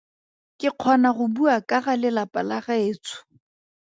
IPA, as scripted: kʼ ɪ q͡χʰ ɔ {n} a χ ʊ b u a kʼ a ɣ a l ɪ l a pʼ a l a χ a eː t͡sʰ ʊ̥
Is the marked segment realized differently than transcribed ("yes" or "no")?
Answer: no